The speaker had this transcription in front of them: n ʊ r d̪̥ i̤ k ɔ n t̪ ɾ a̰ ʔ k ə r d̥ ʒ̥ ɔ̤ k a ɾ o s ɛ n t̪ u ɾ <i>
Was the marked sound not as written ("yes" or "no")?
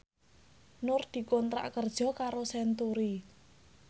no